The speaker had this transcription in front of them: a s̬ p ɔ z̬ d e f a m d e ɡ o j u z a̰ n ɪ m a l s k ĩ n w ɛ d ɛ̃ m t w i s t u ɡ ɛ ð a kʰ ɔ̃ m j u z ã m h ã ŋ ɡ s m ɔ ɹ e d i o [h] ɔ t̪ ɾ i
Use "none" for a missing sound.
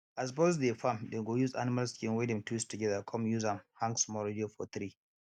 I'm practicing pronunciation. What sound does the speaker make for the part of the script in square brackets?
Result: f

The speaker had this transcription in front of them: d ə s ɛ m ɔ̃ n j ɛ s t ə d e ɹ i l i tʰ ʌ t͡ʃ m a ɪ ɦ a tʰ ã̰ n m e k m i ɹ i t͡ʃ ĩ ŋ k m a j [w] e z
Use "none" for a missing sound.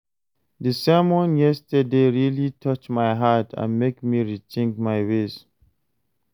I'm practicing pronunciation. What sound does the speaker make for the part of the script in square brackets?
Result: w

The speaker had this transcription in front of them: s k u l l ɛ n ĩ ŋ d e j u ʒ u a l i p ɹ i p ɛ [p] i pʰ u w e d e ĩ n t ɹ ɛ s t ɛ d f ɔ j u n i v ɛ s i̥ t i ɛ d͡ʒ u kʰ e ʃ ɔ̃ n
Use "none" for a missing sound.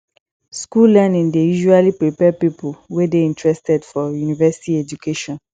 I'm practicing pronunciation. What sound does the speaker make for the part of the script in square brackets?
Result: p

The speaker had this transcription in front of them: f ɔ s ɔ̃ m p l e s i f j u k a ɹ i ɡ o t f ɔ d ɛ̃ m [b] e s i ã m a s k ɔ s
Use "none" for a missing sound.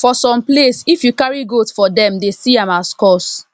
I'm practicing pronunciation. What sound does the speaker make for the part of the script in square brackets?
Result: d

